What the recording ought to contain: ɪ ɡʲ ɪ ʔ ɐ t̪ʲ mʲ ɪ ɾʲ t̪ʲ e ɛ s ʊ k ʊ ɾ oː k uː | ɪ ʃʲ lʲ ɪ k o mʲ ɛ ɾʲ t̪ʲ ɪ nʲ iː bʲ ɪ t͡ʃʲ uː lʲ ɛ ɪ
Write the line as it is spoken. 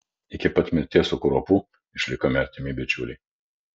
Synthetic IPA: ɪ kʲ ɪ p ɐ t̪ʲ mʲ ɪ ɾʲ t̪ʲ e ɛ s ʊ k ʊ ɾ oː p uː | ɪ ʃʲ lʲ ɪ k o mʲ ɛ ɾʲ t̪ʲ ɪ mʲ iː bʲ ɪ t͡ʃʲ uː lʲ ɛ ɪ